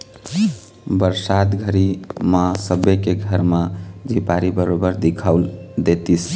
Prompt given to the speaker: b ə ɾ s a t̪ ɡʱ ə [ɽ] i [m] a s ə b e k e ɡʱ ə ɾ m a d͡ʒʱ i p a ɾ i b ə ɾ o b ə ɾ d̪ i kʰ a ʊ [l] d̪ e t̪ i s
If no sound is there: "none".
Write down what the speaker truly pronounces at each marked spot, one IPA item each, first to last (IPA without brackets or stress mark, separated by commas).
ɾ, m, l